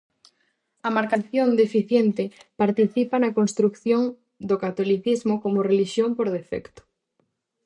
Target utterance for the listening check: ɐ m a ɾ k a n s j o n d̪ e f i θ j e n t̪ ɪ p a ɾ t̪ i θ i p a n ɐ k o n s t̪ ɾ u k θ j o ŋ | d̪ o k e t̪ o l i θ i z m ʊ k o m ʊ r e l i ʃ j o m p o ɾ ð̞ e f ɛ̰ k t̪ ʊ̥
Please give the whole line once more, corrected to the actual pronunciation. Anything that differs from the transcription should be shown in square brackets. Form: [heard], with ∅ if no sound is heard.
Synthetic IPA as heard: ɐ m a ɾ k a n [θ] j o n d̪ e f i θ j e n t̪ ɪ p a ɾ t̪ i θ i p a n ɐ k o n s t̪ ɾ u k θ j o ŋ | d̪ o k [a] t̪ o l i θ i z m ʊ k o m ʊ r e l i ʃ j o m p o ɾ ð̞ e f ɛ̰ k t̪ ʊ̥